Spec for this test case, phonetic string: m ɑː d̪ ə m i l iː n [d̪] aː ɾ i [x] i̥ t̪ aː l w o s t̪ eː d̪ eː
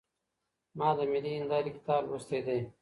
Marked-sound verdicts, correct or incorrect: correct, incorrect: k

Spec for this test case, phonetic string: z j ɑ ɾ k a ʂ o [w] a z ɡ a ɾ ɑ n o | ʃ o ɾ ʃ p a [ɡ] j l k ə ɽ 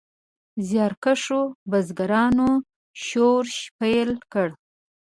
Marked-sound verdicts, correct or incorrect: incorrect: b, incorrect: none

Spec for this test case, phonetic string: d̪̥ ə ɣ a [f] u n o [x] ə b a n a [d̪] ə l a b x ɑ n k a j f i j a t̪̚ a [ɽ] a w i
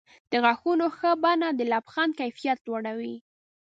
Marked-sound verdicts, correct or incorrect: incorrect: x, correct, correct, correct

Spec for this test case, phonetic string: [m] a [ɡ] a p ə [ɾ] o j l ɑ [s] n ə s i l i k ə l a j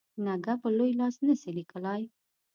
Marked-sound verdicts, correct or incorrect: incorrect: n, correct, incorrect: l, correct

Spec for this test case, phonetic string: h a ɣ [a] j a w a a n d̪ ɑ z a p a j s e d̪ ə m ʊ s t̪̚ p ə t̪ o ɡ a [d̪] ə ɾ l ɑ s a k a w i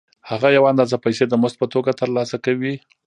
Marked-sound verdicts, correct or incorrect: correct, incorrect: t̪

